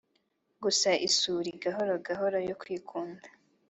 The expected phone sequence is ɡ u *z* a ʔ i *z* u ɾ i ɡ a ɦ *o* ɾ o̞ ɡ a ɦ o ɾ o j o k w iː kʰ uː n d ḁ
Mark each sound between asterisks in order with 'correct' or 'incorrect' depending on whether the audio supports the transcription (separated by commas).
incorrect, incorrect, correct